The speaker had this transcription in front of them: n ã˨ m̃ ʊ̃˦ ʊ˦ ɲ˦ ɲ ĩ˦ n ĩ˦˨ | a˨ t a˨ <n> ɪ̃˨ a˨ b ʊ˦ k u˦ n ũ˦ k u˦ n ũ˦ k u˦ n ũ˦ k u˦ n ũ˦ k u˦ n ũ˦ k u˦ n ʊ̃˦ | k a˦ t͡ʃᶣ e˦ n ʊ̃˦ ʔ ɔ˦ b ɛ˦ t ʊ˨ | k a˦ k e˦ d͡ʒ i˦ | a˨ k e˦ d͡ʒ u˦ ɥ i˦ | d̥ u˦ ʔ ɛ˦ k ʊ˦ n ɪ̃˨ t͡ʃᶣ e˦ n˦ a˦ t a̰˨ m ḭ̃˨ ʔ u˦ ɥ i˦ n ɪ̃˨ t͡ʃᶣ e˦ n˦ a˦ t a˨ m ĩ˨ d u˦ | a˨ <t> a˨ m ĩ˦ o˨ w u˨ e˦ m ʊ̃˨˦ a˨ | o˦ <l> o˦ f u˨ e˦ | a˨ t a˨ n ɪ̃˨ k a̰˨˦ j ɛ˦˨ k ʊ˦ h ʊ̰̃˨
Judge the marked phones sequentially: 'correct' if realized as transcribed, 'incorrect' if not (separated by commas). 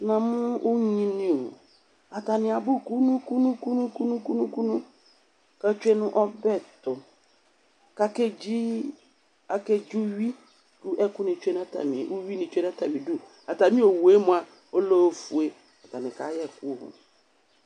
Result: correct, correct, correct